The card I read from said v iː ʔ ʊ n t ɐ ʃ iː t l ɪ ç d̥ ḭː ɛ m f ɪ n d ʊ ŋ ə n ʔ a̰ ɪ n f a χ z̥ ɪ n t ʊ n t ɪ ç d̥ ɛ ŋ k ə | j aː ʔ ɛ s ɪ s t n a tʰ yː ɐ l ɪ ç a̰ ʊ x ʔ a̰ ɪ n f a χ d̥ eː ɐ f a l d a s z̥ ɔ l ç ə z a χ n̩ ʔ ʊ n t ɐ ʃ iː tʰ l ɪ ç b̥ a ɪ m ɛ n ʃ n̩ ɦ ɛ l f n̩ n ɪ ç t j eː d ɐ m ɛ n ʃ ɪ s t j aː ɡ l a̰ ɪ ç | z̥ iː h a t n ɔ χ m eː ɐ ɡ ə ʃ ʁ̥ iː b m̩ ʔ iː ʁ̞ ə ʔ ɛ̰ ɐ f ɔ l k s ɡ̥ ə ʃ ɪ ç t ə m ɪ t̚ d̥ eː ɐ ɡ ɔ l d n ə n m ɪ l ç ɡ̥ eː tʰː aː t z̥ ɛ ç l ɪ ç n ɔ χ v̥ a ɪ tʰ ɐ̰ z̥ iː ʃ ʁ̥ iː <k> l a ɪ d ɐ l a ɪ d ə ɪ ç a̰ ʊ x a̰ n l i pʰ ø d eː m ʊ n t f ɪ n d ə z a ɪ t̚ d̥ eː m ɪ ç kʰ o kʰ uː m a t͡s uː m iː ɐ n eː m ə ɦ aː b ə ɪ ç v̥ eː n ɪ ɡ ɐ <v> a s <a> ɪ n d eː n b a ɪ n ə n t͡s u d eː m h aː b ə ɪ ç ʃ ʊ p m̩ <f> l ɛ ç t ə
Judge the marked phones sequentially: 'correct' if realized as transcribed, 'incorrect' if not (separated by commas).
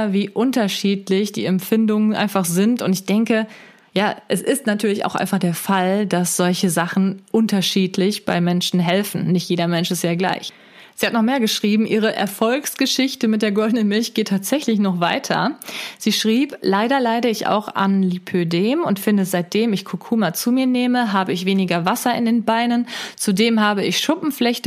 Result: incorrect, correct, incorrect, correct